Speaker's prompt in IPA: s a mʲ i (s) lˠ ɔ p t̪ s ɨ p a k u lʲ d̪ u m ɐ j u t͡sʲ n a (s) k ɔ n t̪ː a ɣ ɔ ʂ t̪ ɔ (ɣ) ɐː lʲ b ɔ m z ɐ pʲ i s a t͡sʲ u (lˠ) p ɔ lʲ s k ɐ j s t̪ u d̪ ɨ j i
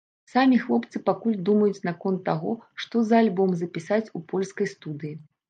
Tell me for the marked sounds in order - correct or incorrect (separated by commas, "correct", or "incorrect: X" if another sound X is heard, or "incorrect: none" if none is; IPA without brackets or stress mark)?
incorrect: x, incorrect: none, incorrect: z, incorrect: none